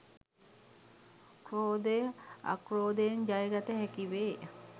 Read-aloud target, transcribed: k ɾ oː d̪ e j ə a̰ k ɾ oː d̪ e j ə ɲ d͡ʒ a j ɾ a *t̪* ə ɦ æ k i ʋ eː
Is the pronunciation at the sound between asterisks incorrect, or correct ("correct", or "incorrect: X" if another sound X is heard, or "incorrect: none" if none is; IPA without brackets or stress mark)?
correct